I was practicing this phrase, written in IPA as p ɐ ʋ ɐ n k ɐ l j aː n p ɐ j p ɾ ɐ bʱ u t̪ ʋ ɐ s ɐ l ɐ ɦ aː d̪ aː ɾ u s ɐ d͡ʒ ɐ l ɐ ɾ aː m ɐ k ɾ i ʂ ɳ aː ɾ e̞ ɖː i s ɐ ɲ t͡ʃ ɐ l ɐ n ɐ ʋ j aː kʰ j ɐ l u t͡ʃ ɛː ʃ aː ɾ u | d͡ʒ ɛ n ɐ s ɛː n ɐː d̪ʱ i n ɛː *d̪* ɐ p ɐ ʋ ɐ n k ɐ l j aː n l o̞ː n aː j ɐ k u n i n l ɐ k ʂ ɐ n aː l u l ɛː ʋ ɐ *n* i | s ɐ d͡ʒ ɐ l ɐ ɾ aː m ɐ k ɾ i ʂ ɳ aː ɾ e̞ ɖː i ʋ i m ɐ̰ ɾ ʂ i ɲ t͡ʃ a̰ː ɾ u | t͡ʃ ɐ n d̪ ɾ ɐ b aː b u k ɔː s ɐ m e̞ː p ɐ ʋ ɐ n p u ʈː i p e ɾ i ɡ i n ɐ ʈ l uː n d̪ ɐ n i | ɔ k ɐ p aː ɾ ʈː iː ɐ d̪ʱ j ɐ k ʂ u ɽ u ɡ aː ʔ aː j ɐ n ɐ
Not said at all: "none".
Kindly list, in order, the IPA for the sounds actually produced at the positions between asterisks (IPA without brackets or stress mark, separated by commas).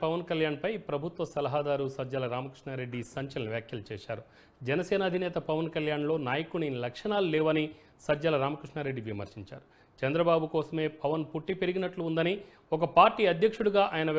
t̪, n